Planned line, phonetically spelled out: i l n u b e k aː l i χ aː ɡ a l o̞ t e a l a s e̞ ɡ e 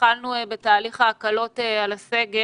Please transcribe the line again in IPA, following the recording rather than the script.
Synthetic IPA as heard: a l n u b e t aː l i χ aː k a l o̞ t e a l a s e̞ ɡ e